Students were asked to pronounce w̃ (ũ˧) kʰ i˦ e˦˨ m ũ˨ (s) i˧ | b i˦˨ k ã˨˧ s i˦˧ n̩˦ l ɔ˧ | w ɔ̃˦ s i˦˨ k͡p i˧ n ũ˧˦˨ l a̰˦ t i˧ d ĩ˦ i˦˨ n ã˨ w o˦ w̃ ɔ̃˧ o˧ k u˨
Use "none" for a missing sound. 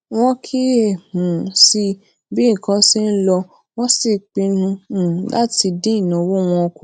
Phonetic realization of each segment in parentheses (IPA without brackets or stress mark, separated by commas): ɔ̃˧, s